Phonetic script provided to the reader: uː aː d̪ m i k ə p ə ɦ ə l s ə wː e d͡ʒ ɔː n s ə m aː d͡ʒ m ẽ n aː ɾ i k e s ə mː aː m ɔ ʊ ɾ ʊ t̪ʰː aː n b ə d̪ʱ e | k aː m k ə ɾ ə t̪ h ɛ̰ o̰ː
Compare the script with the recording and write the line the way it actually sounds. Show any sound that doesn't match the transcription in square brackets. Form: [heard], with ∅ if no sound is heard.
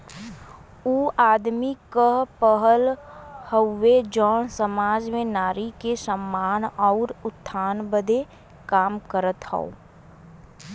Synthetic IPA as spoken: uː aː d̪ m i k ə p ə ɦ ə l [h] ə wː e d͡ʒ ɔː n s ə m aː d͡ʒ m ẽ n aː ɾ i k e s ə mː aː [n] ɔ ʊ ɾ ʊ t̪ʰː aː n b ə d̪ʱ e | k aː m k ə ɾ ə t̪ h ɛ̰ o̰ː